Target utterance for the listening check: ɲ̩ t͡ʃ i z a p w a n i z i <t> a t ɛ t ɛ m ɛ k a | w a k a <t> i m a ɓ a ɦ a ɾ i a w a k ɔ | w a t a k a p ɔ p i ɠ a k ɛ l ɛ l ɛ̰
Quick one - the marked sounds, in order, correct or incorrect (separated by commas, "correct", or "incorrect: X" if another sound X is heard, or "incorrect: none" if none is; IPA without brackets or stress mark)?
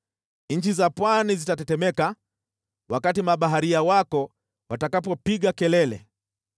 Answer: correct, correct